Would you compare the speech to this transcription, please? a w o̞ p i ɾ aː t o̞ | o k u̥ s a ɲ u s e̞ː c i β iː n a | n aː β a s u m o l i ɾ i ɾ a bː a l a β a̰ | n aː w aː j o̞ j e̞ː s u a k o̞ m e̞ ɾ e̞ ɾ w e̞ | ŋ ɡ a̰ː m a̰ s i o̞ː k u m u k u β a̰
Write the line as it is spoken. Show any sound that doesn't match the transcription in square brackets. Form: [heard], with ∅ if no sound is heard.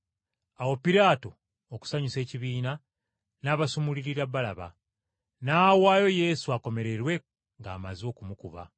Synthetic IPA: a w o̞ p i ɾ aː t o̞ | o k u̥ s a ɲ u s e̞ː c i β iː n a | n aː β a s u m [u] l i ɾ i ɾ a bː a l a β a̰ | n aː w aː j o̞ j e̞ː s u a k o̞ m e̞ ɾ e̞ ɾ w e̞ | ŋ ɡ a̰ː m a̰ [z] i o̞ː k u m u k u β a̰